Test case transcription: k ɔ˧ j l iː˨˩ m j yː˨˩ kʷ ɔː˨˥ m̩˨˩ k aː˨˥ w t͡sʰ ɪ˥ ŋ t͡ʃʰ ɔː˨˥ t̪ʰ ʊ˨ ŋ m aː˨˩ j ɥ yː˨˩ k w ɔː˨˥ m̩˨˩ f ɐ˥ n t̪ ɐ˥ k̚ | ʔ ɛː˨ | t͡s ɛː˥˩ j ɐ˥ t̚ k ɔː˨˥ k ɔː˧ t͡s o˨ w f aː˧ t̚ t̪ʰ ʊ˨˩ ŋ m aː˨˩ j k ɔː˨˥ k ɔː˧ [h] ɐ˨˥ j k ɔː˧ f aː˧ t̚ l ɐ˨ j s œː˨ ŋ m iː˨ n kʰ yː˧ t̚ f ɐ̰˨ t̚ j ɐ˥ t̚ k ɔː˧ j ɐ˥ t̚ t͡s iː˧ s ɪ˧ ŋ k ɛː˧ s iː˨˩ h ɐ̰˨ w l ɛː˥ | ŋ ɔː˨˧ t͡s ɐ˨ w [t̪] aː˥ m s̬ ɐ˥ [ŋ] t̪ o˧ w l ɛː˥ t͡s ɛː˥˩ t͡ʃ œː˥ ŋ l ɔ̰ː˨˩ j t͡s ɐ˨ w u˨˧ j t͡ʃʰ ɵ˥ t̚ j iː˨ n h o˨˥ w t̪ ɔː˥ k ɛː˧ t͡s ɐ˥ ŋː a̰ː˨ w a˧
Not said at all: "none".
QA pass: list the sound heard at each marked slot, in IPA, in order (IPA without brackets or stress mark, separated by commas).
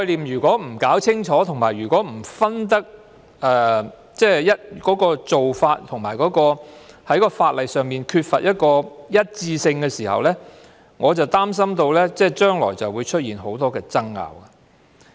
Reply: h, t̪, m